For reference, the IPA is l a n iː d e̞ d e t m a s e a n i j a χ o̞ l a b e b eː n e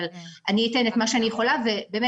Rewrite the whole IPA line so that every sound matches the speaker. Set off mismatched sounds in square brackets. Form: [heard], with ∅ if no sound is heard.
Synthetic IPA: l a n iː [t] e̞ [n] e t m a [ʃ] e a n i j [e] χ o̞ l a [v] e b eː [m] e

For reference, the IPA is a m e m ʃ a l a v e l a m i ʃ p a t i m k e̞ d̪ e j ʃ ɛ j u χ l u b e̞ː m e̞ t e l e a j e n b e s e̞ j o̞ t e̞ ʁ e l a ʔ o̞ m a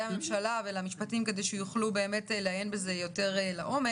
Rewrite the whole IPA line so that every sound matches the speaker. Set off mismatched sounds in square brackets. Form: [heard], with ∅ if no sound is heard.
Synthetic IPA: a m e m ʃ a l a v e l a m i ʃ p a t i m k e̞ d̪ e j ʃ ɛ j u χ l u b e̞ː m e̞ t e l e a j e n b e [z] e̞ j o̞ t e̞ ʁ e l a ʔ o̞ m [e]

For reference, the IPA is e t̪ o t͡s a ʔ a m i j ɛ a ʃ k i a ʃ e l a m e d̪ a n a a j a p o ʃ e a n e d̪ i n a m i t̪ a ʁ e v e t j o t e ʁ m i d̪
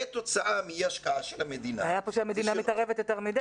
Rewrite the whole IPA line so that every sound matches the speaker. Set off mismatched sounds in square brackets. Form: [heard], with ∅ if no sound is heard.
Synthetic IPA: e t̪ o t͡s a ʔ a m i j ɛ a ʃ k [a] a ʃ e l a m e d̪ [i] n a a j a p o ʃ e a [m] e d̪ i n a m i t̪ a ʁ e v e t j o t e ʁ m i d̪

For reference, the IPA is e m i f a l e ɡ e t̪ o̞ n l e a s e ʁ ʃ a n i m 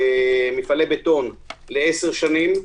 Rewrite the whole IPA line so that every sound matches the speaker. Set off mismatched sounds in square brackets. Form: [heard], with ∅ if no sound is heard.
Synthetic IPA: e m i f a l e [b] e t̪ o̞ n l e [e] s e ʁ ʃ a n i m

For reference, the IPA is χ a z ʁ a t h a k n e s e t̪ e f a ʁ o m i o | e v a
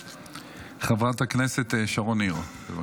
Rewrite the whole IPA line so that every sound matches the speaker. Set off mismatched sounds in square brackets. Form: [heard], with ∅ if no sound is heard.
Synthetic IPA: χ a [v] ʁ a t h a k n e s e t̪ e [ʃ] a ʁ o [n] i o | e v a

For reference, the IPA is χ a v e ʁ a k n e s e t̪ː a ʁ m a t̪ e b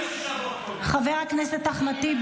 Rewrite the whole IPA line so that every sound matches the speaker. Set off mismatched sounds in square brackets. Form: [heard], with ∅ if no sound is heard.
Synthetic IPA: χ a v e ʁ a k n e s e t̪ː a [χ] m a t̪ [i] b

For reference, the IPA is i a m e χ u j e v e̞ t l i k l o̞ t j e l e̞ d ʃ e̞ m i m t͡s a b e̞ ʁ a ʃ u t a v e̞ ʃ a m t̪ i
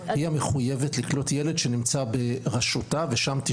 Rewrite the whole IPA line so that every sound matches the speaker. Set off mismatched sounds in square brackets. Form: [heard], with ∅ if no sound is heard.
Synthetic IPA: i a m e χ u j e v e̞ t l i k l o̞ t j e l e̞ d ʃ e̞ [n] i m t͡s a b e̞ ʁ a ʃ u t a v e̞ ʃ a m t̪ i

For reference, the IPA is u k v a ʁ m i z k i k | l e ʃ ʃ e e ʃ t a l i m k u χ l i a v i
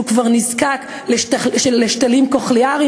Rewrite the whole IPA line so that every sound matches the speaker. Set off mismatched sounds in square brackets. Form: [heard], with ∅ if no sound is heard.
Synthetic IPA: u k v a ʁ [n] i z k [a] k | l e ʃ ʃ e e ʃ t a l i m k [o] χ l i a [ʁ] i

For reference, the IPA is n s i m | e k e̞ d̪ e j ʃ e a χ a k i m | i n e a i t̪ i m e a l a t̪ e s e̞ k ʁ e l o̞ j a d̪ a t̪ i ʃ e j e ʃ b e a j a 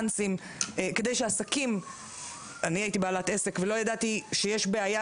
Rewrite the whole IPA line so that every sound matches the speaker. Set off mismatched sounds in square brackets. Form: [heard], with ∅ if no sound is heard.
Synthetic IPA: n s i m | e k e̞ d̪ e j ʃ e a [s] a k i m | [a] n [i] a i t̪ i [b] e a l a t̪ e s e̞ k [v] e l o̞ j a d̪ a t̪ i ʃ e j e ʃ b e a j a

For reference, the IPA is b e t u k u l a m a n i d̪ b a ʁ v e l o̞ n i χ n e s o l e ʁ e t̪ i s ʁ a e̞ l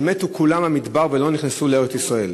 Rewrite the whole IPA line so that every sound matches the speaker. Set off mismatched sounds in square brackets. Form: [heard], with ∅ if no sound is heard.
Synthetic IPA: [m] e t u k u l a m a [m] i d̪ b a ʁ v e l o̞ n i χ n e s [u] l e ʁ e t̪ i s ʁ a e̞ l

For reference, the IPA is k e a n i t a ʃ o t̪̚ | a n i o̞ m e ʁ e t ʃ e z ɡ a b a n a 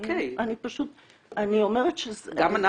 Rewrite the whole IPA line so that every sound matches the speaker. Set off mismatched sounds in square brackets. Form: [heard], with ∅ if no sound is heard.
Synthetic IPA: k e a n i [p] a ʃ [u] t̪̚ | a n i o̞ m e ʁ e t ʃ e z ɡ a [m] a n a

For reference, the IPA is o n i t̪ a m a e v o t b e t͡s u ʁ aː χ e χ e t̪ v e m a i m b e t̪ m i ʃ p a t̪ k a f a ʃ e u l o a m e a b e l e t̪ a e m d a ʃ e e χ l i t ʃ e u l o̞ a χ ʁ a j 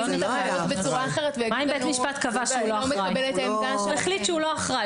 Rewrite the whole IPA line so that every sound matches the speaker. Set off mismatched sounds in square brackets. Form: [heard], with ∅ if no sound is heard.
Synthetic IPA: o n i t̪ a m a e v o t b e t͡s u ʁ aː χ e [ʁ] e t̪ v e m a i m b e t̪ m i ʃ p a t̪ k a [v] a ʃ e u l o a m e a b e l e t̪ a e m d a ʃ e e χ l i t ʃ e u l o̞ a χ ʁ a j

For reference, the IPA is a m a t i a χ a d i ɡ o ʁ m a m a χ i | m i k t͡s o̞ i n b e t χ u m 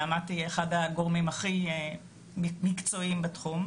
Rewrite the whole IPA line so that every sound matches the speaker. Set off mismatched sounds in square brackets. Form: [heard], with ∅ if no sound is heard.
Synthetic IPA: a m a t i [e] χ a d [a] ɡ o ʁ m [i] m a χ i | m i k t͡s o̞ i [m] b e t χ u m

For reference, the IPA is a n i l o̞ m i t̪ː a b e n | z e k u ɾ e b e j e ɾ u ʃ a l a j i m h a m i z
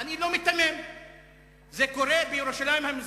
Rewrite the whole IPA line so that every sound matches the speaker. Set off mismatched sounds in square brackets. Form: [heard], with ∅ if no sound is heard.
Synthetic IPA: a n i l o̞ m i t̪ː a [m] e [m] | z e k [o] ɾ e b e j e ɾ u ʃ a l a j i m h a m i z

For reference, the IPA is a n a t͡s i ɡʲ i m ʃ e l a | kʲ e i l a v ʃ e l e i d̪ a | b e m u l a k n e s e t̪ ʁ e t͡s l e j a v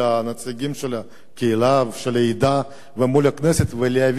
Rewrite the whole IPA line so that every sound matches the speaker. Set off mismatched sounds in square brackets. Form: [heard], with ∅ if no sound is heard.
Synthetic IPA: a n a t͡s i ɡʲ i m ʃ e l a | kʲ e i l a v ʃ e l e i d̪ a | [v] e m u l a k n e s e t̪ [v] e [∅] l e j a v

